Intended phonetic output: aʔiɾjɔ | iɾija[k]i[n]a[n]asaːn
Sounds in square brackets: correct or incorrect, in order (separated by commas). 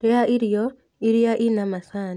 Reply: incorrect, correct, incorrect